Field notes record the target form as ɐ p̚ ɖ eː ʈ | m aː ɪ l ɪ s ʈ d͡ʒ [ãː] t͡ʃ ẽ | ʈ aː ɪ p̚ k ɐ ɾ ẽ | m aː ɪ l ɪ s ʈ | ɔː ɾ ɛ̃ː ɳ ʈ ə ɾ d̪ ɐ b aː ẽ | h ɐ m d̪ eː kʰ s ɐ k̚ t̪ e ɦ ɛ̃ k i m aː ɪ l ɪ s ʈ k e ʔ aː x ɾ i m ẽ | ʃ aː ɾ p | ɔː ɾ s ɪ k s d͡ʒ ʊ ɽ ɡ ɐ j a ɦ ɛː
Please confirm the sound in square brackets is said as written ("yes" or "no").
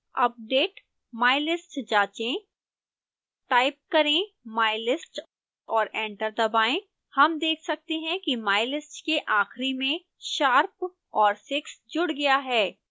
no